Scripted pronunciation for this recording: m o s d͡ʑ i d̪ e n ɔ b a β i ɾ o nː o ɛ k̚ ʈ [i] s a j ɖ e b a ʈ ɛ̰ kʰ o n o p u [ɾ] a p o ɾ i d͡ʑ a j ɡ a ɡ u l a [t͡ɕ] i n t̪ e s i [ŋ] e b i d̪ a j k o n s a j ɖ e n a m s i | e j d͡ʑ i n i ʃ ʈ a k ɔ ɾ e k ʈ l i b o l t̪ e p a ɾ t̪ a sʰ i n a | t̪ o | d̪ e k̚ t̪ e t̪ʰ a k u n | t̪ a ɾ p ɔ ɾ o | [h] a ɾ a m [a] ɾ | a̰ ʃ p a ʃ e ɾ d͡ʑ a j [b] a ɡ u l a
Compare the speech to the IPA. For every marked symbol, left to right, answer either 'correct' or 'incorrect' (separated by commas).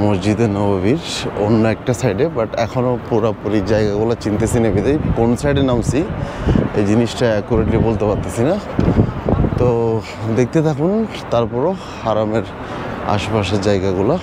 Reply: incorrect, correct, correct, incorrect, correct, incorrect, incorrect